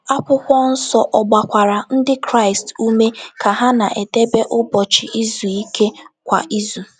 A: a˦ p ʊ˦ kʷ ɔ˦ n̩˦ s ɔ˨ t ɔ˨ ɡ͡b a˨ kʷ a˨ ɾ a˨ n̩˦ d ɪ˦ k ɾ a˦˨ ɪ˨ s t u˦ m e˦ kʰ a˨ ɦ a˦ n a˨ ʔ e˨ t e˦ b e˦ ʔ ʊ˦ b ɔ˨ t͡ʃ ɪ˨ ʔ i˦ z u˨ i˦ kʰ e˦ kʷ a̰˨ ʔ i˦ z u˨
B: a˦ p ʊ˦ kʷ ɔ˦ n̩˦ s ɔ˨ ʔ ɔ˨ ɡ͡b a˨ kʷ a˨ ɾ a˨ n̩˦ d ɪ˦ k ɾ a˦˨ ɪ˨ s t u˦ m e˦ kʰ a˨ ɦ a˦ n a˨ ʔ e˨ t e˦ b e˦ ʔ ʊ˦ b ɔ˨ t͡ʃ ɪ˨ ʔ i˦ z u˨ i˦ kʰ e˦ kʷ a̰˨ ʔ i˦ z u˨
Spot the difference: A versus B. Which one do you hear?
B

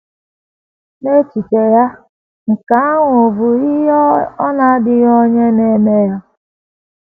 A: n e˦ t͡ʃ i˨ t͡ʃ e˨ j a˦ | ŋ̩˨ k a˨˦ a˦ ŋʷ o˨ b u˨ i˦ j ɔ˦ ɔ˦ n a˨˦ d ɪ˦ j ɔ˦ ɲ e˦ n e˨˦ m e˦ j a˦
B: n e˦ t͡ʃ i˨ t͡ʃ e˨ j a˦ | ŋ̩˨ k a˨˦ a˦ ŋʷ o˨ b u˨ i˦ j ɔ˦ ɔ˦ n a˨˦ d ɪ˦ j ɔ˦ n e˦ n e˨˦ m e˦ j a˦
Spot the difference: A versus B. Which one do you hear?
A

